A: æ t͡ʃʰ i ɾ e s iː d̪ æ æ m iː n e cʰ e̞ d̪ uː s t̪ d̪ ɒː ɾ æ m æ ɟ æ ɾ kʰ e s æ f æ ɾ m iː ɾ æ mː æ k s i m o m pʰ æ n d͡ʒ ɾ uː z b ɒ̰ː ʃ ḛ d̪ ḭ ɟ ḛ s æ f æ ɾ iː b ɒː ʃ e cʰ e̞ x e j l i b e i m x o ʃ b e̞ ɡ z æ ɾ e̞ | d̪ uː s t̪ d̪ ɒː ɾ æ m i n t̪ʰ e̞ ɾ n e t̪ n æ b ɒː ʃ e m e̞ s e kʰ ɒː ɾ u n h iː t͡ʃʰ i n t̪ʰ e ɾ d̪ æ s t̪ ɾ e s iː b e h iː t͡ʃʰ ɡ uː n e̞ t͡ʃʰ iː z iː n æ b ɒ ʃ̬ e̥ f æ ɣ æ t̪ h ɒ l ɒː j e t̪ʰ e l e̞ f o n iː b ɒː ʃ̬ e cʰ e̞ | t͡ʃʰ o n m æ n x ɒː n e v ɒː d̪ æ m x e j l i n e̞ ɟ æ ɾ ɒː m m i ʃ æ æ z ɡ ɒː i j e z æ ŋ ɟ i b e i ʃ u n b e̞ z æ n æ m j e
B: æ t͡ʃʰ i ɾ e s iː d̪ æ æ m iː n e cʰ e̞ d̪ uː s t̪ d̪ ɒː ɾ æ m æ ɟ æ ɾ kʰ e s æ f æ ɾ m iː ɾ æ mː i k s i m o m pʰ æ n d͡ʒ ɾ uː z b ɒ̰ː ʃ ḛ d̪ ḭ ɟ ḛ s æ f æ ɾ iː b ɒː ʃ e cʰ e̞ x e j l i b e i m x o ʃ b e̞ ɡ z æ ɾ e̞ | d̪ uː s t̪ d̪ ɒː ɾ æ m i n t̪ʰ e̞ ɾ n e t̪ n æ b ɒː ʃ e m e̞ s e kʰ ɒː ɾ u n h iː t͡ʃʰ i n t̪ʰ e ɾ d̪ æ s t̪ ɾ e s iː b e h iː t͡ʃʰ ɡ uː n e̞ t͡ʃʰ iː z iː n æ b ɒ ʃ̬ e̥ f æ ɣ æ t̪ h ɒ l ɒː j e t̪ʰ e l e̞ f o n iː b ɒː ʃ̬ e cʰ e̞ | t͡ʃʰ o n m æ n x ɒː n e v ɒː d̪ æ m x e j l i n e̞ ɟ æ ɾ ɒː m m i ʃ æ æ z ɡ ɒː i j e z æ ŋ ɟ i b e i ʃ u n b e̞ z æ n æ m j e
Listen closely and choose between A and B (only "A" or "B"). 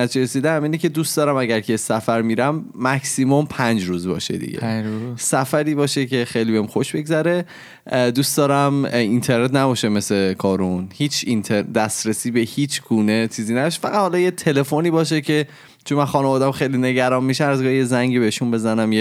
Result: A